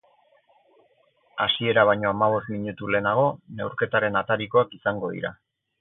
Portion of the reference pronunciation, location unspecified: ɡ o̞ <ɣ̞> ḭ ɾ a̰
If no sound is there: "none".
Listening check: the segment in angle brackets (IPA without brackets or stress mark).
ð̞